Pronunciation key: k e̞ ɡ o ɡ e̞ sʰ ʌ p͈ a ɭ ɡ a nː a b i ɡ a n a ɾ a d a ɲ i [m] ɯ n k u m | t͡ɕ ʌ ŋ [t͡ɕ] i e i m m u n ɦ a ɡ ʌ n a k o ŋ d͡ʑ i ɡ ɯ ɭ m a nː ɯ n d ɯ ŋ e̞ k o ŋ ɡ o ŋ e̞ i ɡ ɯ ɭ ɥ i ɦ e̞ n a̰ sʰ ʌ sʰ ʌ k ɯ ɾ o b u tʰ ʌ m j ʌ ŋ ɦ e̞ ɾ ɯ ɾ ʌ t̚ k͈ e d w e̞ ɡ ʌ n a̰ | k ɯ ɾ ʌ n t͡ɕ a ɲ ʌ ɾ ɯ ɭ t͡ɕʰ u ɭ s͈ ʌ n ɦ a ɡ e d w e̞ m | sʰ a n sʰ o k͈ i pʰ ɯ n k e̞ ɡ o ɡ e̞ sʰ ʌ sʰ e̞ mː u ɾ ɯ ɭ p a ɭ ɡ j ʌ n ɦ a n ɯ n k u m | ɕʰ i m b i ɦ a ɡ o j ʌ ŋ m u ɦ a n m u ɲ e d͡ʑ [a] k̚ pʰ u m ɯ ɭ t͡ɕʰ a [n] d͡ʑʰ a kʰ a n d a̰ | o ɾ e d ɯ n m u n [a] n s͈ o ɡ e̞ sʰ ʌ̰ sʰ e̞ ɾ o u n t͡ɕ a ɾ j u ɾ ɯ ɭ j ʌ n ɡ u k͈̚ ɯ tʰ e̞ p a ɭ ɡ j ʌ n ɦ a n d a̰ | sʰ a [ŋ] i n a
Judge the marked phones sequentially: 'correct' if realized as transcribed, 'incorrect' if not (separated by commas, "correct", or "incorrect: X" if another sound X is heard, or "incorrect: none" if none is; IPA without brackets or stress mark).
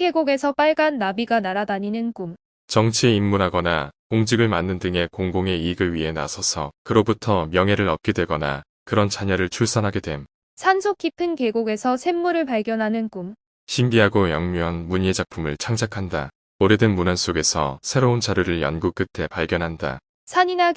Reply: incorrect: n, incorrect: t͡ɕʰ, correct, incorrect: ŋ, correct, incorrect: ɲ